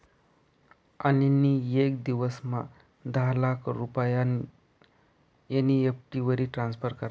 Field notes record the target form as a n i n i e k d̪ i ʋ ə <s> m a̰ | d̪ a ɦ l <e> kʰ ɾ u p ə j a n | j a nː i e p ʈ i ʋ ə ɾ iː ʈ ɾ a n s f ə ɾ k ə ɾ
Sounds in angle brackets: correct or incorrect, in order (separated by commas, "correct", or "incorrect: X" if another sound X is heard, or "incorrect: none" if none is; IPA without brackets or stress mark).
correct, incorrect: a